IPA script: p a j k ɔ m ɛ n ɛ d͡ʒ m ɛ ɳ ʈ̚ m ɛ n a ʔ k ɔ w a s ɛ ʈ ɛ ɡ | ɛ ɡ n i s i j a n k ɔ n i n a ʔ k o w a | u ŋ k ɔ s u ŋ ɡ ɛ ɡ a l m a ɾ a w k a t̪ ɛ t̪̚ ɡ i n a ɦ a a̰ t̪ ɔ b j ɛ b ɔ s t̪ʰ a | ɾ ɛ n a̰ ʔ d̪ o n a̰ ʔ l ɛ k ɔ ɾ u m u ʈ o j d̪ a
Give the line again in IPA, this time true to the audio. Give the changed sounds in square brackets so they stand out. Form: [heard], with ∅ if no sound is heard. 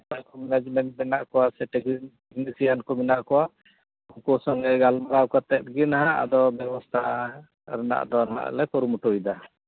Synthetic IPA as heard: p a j k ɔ m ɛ n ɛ d͡ʒ m ɛ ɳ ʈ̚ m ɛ n a ʔ k ɔ w a s ɛ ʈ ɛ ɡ | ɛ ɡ n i s i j a n k ɔ [m] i n a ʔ k [ɔ] w a | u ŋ k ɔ s [ɔ] ŋ ɡ ɛ ɡ a l m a ɾ a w k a t̪ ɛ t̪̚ ɡ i n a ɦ a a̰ [d̪] ɔ b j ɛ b ɔ s t̪ʰ a | ɾ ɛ n a̰ ʔ d̪ [ɔ] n a̰ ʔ l ɛ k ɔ ɾ u m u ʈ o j d̪ a